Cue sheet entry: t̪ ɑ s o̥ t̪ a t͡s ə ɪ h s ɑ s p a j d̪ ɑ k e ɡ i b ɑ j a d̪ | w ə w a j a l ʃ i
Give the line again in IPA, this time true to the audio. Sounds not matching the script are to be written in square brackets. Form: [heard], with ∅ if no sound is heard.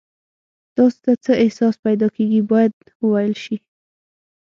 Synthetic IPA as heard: t̪ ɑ s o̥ t̪ a t͡s ə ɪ h s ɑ s p a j d̪ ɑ k e ɡ i b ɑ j a d̪ | w ə w a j [ə] l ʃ i